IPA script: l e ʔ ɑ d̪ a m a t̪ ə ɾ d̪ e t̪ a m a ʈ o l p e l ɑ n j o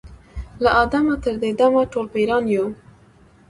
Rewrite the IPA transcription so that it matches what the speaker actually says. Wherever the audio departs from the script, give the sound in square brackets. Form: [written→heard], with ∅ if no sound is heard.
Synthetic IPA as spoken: l [e→a] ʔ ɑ d̪ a m a t̪ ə ɾ d̪ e [t̪→d̪] a m a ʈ o l p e [l→ɾ] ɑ n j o